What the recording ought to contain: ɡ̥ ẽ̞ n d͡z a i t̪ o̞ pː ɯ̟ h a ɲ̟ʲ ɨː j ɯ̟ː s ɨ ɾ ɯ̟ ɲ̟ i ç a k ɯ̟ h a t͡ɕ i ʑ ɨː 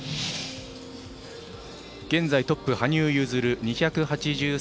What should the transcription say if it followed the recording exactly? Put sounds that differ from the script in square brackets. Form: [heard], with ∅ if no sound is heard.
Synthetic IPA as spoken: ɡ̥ ẽ̞ n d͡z a i t̪ o̞ pː ɯ̟ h a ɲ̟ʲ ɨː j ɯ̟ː [z] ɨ ɾ ɯ̟ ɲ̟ i ç a k ɯ̟ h a t͡ɕ i ʑ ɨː